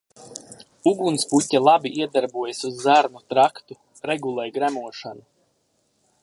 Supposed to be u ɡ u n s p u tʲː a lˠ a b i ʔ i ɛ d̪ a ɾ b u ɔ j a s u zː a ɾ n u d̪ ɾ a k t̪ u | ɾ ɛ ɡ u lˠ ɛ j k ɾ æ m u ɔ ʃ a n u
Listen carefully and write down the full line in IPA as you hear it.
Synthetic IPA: u ɡ u n s p u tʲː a lˠ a b i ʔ i ɛ d̪ a ɾ b u ɔ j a s u zː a ɾ n u t̪ ɾ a k t̪ u | ɾ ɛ ɡ u lˠ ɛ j ɡ ɾ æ m u ɔ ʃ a n u